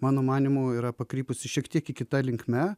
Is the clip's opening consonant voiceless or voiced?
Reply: voiced